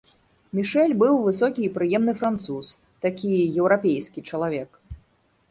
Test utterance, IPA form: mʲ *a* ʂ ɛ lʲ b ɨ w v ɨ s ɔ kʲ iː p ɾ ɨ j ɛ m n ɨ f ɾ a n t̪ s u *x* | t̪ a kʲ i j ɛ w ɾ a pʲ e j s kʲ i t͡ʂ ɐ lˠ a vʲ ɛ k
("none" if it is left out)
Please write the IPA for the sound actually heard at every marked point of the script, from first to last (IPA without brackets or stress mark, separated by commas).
i, s